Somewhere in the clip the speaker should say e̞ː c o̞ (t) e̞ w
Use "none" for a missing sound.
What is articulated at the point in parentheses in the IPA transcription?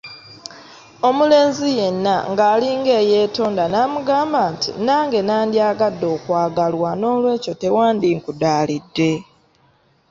t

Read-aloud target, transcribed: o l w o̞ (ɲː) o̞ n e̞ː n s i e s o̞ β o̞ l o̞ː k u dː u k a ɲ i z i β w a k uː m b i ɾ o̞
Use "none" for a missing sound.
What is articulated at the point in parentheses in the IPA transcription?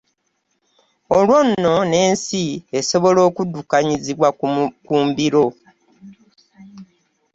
nː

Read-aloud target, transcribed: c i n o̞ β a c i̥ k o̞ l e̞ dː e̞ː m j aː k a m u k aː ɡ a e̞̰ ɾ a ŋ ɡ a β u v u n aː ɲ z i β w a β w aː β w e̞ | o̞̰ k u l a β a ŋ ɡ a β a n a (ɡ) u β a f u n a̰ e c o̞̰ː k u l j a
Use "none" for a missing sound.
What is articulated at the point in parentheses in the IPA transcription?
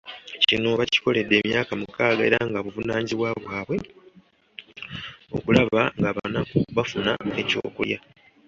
k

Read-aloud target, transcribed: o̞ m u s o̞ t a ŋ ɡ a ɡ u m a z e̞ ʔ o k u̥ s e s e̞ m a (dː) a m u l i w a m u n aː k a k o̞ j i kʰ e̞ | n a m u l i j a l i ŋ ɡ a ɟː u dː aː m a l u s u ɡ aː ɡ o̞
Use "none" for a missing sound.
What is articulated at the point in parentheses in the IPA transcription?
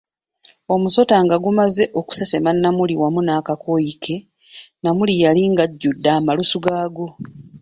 nː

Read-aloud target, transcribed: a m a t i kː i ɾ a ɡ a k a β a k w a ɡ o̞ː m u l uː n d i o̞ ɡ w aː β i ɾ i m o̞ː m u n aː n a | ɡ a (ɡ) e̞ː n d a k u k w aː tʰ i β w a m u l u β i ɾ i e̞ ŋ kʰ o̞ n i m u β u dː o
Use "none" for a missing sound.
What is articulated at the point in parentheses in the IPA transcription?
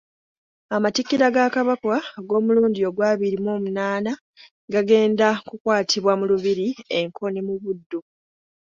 ɡ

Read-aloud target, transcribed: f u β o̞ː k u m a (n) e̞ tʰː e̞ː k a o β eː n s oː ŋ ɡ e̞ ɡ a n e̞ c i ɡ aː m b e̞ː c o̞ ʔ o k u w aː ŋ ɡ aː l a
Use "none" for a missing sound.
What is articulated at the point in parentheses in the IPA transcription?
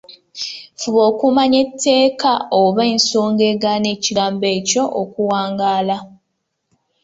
ɲ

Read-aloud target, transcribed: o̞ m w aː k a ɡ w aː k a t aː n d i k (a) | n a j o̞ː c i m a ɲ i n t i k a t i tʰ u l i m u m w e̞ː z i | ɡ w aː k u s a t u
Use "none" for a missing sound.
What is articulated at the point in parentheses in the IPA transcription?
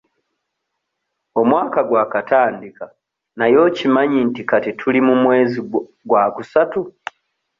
a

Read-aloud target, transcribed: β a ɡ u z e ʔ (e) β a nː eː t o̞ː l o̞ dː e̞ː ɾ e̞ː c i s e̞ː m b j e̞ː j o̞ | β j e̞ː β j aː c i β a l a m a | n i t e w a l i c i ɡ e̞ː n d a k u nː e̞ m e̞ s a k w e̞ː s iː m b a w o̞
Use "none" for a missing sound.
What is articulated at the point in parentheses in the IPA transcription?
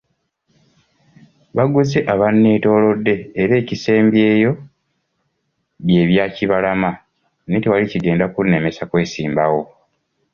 a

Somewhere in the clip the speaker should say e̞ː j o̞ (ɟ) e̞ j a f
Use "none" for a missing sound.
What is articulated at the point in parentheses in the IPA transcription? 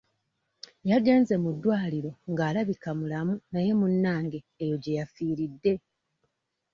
ɟ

